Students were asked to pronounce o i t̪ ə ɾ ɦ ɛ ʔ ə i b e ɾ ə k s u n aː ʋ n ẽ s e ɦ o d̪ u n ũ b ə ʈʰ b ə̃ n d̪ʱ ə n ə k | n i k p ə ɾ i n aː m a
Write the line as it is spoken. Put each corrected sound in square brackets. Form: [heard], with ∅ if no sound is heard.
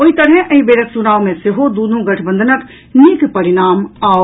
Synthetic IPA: o i t̪ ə ɾ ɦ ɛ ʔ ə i b e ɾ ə k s u n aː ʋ [m] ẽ s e ɦ o d̪ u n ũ [ɡ] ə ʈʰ b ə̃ n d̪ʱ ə n ə k | n i k p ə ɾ i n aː m a